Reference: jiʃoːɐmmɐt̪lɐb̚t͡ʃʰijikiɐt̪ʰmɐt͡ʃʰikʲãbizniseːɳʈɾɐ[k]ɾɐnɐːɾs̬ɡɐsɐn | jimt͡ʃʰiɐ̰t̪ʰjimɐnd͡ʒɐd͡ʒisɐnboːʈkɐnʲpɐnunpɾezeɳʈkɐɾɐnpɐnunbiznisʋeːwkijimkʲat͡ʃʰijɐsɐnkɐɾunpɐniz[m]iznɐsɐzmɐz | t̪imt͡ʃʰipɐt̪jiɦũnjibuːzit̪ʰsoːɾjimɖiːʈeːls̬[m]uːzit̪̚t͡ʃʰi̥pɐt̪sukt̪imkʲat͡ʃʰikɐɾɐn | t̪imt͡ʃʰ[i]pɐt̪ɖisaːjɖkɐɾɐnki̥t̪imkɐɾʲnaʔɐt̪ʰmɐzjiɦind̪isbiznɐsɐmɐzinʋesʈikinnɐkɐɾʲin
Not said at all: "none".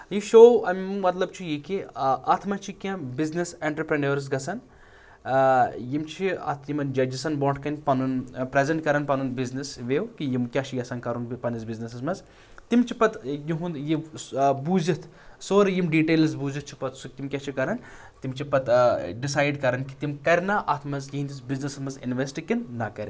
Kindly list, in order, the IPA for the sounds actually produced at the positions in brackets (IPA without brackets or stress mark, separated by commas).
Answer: p, b, b, i